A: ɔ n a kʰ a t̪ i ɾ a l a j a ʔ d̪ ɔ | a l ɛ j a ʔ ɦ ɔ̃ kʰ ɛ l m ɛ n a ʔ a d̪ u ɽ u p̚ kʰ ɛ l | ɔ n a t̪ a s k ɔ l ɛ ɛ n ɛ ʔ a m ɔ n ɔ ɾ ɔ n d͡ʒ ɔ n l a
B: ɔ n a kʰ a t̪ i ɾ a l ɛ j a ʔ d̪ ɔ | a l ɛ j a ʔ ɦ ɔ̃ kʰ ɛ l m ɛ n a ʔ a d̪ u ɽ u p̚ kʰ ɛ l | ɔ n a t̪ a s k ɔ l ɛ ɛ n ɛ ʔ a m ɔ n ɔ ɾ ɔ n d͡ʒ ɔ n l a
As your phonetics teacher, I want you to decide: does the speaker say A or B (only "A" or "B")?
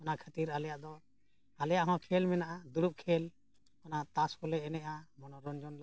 B